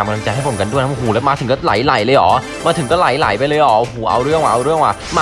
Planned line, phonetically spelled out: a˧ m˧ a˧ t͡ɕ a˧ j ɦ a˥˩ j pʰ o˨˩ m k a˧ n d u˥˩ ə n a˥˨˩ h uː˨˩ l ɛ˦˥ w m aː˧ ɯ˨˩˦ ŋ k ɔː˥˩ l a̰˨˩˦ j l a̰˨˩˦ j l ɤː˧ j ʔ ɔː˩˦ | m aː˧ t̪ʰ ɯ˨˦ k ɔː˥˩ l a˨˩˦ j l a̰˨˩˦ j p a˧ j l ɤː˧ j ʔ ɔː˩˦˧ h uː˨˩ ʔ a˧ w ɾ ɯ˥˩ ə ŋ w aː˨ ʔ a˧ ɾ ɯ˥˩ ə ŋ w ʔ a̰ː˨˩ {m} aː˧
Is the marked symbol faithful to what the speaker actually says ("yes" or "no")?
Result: yes